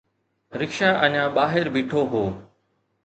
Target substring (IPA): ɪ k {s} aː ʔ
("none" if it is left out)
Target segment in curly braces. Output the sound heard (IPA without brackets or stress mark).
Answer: ʃ